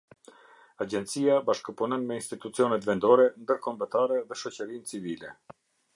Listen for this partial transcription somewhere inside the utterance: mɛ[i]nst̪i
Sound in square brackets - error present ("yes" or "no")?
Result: no